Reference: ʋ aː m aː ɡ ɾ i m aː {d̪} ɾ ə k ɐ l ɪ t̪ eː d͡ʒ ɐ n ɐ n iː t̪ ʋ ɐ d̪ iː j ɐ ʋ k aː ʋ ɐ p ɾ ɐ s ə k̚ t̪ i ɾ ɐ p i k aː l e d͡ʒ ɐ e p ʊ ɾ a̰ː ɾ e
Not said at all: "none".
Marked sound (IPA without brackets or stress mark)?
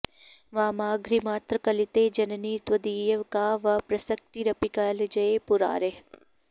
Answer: t̪